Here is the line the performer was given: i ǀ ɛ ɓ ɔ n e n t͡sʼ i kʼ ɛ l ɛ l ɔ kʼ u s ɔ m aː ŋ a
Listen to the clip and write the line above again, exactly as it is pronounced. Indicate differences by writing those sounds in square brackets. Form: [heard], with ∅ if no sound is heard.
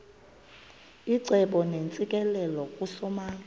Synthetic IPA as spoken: i ǀ ɛ ɓ ɔ n e n t͡sʼ i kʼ ɛ l ɛ l ɔ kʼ u s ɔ m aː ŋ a